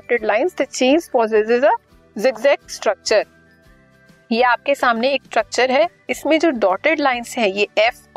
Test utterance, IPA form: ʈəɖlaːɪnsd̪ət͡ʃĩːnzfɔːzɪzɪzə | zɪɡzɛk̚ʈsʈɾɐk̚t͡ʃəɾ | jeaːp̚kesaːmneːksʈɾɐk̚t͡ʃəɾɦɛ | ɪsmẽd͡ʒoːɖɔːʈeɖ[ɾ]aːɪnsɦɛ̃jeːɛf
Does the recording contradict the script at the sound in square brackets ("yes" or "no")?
yes